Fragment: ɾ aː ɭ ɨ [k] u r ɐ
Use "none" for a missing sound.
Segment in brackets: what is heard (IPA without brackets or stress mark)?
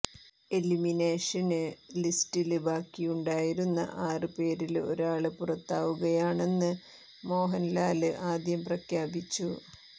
p